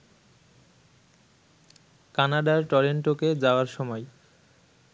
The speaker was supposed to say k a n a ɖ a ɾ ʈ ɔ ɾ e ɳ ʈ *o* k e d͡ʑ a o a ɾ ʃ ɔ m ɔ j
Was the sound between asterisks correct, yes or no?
yes